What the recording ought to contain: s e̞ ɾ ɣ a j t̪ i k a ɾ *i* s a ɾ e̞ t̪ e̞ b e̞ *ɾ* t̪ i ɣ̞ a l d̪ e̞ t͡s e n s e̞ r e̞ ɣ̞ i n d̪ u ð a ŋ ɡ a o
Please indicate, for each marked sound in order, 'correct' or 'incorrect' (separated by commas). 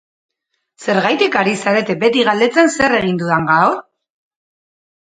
correct, incorrect